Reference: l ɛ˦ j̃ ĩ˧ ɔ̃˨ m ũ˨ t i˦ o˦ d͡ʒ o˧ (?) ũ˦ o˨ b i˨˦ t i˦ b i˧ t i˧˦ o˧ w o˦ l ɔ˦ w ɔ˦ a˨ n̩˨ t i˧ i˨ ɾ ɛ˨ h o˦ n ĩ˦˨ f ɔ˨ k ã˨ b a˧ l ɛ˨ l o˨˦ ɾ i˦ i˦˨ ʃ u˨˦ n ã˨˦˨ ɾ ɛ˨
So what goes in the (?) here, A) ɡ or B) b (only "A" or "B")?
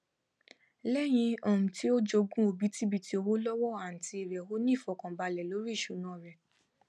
A